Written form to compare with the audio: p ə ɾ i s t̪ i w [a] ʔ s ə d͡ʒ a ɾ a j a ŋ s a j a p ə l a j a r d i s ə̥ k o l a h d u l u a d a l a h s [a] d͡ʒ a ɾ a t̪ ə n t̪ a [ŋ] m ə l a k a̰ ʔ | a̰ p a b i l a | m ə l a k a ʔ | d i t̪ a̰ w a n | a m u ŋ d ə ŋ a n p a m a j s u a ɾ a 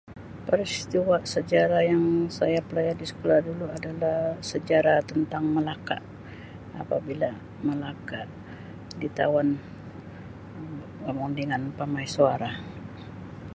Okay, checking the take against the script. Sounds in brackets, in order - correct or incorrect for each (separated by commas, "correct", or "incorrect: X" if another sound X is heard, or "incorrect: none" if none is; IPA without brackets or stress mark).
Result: correct, incorrect: ə, correct